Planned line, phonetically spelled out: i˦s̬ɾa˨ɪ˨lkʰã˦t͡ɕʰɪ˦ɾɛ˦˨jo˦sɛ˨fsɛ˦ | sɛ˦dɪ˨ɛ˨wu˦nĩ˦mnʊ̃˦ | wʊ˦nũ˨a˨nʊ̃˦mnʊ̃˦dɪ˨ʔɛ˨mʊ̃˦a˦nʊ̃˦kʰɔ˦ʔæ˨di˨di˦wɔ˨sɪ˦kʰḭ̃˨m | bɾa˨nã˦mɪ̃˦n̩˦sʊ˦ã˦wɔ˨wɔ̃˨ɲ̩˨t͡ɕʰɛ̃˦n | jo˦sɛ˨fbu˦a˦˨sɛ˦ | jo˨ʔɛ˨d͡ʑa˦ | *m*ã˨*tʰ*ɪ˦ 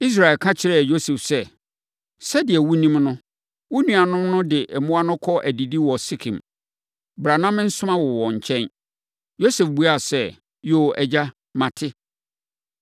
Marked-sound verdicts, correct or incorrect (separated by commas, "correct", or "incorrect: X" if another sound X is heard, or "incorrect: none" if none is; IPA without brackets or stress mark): correct, correct